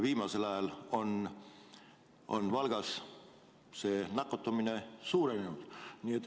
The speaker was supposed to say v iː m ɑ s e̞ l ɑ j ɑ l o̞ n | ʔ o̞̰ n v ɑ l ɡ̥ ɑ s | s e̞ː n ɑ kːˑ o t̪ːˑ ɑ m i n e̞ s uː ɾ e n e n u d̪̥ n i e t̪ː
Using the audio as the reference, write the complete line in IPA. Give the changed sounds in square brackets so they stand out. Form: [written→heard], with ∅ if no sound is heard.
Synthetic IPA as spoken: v iː m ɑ s e̞ l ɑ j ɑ l o̞ n | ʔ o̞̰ n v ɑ l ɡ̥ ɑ s | s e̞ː n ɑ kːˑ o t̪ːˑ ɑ m i n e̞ s uː ɾ e n e n u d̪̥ n i e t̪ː